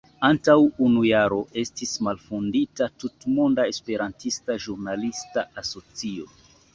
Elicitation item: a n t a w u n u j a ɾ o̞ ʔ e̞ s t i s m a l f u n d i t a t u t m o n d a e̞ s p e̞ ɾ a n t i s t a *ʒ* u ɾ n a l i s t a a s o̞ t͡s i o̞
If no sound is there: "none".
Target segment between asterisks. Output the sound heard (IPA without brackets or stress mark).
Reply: ʒ